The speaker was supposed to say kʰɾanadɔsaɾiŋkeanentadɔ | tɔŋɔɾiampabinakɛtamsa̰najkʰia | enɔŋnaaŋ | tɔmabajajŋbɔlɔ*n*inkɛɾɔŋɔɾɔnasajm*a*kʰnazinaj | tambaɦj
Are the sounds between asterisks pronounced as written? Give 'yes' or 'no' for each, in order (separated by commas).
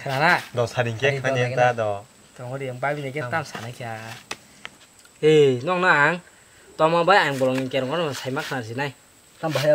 no, yes